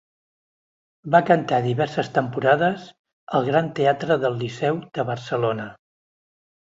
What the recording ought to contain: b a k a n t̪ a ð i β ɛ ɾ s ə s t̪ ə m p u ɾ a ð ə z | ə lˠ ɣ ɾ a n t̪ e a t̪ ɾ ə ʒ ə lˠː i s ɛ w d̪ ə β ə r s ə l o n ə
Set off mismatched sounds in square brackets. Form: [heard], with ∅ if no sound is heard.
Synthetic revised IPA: b a k [ə] n t̪ a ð i β ɛ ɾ s ə s t̪ ə m p u ɾ a ð ə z | ə lˠ ɣ ɾ a n t̪ e a t̪ ɾ ə [ð] ə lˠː i s ɛ w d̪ ə β ə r s ə l o n ə